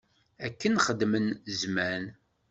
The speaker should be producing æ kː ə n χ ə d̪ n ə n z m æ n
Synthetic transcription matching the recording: æ kː ə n χ ə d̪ m ə n z m æ n